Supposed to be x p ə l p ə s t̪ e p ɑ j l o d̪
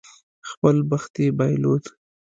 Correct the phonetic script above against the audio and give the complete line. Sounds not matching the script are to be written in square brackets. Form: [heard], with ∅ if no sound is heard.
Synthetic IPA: x p ə l [b] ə [x] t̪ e [b] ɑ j l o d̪

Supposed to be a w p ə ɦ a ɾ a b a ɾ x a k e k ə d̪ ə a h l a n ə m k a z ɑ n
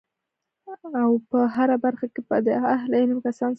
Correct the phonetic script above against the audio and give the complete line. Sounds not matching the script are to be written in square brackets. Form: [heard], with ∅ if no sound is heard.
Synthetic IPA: a w p ə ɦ a ɾ a b a ɾ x a k e [p] ə d̪ ə a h l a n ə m k a [s] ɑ n

